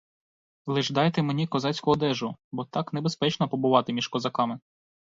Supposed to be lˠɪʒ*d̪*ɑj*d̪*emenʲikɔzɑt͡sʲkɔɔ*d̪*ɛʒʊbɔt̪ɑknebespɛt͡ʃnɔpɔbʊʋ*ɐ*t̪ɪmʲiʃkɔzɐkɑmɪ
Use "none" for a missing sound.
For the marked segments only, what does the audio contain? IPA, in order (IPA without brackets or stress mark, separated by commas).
d̪, t̪, d̪, ɑ